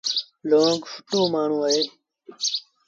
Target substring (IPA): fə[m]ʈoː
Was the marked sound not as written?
yes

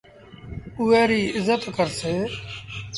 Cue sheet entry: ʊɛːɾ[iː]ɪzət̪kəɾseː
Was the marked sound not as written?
no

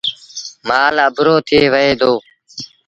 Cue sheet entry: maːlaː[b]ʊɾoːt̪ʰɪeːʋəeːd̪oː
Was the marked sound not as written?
no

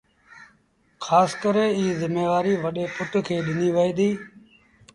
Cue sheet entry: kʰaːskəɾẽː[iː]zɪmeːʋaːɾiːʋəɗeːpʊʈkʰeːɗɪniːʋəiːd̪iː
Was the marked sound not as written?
no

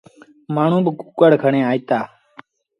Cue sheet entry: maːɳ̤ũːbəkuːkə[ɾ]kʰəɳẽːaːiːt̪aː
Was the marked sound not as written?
yes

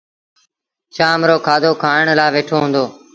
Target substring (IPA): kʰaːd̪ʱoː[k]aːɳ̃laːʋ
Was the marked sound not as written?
yes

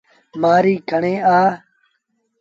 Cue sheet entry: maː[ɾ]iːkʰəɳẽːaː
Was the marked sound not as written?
no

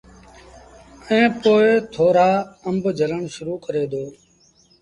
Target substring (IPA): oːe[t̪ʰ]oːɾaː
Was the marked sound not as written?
no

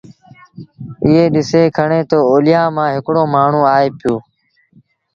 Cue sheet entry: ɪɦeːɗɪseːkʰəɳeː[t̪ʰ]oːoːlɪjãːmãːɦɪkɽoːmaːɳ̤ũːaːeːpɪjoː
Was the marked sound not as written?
yes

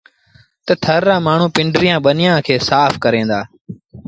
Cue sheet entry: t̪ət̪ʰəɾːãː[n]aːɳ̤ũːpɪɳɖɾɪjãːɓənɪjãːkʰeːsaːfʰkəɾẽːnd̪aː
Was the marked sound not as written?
yes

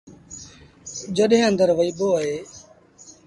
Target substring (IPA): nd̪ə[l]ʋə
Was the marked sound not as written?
yes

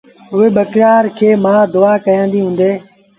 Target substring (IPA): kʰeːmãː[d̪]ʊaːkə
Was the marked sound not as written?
no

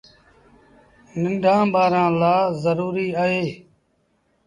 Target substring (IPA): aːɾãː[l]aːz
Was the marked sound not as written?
no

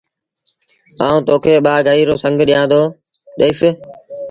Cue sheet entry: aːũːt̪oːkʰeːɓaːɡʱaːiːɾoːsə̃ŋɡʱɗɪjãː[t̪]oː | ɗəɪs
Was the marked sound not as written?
yes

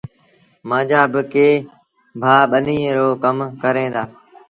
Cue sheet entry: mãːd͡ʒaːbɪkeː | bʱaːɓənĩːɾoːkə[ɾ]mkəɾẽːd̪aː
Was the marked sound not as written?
yes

